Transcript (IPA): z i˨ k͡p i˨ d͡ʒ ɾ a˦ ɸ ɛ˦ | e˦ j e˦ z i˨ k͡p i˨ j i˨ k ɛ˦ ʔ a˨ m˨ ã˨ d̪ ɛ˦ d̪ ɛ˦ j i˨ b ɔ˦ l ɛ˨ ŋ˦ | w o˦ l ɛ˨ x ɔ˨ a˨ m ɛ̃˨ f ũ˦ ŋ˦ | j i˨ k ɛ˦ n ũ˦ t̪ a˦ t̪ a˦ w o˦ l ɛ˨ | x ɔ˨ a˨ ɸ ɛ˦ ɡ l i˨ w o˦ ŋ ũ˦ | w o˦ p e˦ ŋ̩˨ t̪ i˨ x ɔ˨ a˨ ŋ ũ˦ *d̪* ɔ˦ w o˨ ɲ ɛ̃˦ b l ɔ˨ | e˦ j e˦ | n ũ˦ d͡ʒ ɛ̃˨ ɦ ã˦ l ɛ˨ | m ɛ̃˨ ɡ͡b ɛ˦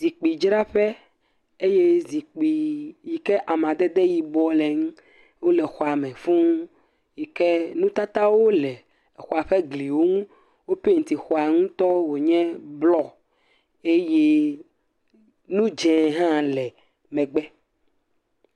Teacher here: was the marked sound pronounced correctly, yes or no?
no